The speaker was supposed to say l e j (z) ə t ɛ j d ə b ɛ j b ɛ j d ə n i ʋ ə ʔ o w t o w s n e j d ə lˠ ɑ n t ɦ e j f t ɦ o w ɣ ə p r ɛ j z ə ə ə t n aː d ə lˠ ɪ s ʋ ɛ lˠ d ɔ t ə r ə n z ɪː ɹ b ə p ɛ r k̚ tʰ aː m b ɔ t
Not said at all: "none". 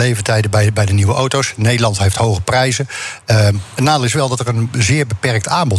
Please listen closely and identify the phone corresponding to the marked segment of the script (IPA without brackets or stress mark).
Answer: v